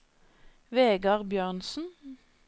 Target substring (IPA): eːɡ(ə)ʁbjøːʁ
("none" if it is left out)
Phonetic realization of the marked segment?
ɑ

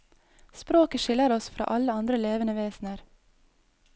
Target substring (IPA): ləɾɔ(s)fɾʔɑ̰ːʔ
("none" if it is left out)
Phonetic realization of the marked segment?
s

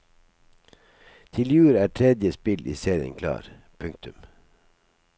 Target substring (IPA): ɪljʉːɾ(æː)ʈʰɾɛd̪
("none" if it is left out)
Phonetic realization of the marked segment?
æː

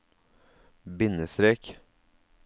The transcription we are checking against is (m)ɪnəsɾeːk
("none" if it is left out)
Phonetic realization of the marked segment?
b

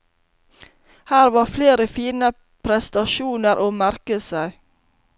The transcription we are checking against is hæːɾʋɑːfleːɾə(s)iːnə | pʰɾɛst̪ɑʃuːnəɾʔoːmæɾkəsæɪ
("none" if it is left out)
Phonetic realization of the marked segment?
f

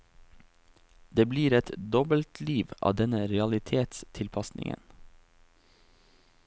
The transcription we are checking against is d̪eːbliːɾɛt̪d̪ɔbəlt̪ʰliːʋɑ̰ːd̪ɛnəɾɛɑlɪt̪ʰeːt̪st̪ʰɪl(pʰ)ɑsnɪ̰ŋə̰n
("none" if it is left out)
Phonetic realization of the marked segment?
pʰ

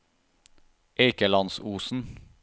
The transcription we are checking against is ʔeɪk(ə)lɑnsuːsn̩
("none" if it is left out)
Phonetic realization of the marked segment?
ə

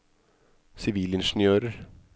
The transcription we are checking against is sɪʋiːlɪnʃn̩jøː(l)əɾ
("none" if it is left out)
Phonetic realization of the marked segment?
ɾ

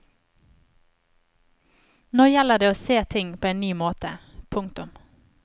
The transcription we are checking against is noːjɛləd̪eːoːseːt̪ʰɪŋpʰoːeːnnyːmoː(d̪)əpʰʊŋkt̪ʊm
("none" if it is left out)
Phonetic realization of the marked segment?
t̪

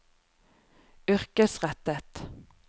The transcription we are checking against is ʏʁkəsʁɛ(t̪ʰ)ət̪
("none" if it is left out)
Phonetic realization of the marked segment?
t̪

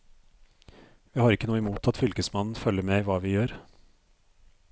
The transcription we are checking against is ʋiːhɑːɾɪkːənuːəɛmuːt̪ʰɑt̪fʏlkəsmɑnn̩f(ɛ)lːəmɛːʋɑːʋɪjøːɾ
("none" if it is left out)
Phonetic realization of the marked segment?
œ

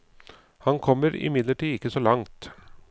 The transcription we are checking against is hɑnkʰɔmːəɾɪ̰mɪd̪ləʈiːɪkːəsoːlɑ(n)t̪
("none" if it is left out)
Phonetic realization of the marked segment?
ŋ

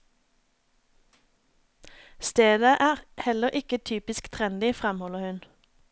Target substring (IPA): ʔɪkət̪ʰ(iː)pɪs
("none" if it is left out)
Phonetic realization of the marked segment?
yː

